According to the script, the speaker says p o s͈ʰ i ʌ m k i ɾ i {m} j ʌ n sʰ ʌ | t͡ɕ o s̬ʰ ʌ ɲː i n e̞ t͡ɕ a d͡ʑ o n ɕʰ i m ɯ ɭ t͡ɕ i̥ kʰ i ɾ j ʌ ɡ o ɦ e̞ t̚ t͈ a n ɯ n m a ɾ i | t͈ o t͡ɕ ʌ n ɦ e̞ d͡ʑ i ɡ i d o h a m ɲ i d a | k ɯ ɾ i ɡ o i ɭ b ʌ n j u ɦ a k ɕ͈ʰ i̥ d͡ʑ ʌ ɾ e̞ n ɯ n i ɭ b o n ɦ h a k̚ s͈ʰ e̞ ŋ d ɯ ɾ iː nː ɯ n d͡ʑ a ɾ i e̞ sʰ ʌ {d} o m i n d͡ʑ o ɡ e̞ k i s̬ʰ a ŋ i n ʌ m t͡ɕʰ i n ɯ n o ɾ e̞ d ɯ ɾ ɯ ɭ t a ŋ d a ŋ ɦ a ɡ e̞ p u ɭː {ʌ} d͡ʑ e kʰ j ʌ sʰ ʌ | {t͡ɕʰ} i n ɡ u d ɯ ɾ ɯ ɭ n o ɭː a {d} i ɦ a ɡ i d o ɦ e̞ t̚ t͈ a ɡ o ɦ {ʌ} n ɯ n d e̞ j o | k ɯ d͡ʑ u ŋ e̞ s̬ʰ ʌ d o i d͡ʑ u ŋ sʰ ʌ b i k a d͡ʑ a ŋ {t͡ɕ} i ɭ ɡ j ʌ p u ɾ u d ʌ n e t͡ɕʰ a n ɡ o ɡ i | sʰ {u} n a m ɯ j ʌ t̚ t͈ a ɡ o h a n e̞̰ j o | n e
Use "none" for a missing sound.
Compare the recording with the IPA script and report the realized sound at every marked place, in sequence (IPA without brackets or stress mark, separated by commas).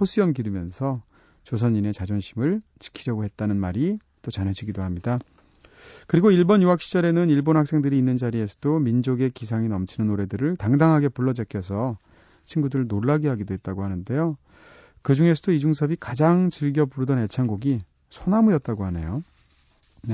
m, d, ʌ, t͡ɕʰ, ɡ, a, t͡ɕ, o